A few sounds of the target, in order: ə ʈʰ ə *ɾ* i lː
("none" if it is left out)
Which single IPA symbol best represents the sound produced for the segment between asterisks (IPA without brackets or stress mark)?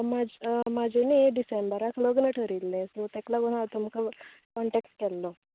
ɾ